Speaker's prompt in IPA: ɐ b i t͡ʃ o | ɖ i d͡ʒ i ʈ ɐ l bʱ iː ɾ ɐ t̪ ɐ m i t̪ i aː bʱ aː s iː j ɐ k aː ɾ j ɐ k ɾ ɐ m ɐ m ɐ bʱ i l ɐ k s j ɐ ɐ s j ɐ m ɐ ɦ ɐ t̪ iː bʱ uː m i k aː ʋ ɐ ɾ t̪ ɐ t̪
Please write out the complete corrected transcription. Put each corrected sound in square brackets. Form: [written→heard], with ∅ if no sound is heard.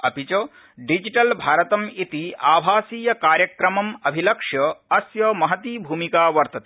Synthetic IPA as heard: ɐ [b→p] i t͡ʃ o | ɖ i d͡ʒ i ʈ ɐ l bʱ [iː→aː] ɾ ɐ t̪ ɐ m i t̪ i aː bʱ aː s iː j ɐ k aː ɾ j ɐ k ɾ ɐ m ɐ m ɐ bʱ i l ɐ k [s→ʂ] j ɐ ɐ s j ɐ m ɐ ɦ ɐ t̪ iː bʱ uː m i k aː ʋ ɐ ɾ t̪ ɐ t̪